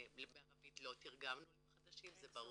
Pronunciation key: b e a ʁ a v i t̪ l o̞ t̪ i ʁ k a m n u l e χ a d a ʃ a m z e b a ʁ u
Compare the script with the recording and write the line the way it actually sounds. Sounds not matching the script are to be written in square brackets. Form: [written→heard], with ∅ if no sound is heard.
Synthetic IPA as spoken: b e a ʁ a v i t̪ l o̞ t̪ i ʁ [k→ɡ] a m n u l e χ a d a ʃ [a→i] m z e b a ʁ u

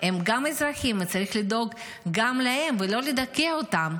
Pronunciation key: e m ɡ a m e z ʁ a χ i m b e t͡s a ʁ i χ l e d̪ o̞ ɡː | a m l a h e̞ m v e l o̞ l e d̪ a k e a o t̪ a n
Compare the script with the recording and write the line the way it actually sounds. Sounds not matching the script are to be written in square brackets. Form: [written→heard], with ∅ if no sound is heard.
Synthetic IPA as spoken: e m ɡ a m e z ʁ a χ i m [b→v] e t͡s a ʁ i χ l [e→i] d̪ o̞ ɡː | a m l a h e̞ m v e l o̞ l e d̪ a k e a o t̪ a [n→m]

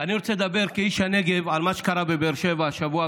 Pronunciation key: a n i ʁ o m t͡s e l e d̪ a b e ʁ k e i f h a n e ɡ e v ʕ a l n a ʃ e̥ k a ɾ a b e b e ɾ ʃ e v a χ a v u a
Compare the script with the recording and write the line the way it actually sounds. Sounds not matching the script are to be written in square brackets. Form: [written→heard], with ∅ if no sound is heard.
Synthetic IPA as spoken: a n i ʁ o [m→∅] t͡s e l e d̪ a b e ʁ k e i [f→ʃ] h a n e ɡ e v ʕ a l [n→m] a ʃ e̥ k a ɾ a b e b e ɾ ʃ e v a [χ→ʃ] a v u a

